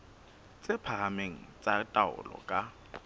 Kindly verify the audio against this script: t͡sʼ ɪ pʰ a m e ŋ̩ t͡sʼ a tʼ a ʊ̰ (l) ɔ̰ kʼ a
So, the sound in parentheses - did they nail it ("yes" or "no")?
yes